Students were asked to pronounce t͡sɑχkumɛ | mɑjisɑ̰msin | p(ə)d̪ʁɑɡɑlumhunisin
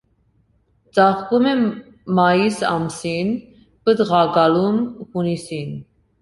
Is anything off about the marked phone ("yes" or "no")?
no